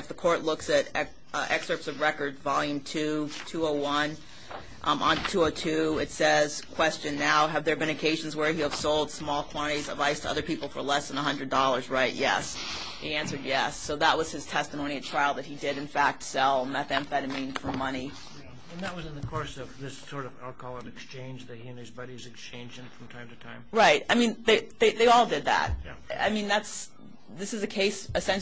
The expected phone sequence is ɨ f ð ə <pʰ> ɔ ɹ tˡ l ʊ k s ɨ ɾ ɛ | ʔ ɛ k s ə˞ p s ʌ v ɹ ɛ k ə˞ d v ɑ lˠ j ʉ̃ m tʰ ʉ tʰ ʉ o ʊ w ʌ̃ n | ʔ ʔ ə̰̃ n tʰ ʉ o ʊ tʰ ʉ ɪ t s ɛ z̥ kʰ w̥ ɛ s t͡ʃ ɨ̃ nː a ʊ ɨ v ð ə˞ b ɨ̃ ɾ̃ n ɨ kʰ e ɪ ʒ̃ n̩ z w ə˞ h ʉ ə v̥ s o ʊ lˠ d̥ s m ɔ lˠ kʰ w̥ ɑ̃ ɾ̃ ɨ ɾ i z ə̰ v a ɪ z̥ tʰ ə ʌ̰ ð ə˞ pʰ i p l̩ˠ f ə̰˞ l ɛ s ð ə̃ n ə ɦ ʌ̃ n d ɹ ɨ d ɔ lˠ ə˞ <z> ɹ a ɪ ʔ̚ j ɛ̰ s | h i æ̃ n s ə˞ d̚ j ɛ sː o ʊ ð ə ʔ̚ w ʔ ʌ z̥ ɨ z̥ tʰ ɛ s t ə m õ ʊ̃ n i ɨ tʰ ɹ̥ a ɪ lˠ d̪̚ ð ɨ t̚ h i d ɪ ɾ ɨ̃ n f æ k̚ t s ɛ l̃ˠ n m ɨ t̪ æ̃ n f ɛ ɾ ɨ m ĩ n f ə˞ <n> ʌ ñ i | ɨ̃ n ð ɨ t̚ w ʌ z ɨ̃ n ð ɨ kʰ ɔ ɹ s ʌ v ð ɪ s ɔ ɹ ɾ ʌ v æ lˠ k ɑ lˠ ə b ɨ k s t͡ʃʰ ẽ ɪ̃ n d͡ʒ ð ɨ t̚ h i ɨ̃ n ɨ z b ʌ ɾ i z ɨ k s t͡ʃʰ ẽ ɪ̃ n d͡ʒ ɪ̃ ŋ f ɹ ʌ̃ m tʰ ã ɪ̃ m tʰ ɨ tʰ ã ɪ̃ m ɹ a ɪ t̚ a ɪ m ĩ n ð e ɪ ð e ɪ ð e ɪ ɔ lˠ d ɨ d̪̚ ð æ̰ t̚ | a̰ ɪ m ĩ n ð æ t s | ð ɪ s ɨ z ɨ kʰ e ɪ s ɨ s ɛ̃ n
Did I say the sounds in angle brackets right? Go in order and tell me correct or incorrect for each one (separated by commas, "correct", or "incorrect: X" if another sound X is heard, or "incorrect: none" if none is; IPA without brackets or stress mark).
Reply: incorrect: kʰ, correct, incorrect: m